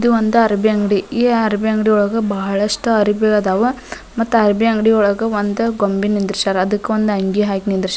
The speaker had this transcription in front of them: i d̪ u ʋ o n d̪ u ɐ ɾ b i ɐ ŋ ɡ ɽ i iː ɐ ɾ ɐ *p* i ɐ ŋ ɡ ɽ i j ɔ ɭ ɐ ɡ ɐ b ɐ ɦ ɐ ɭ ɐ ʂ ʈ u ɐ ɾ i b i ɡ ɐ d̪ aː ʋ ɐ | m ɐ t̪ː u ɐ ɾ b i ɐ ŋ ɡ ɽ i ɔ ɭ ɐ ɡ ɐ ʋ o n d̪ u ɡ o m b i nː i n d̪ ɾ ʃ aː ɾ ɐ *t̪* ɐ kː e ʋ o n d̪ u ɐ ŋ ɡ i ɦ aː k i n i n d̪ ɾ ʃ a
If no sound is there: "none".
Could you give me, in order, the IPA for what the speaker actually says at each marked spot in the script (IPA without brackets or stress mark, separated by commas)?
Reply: b, d̪